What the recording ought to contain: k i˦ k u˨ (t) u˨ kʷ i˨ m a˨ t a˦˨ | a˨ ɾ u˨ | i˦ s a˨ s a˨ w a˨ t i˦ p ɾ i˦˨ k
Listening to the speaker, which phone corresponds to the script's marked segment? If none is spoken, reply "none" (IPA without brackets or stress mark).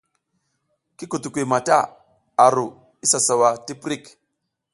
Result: t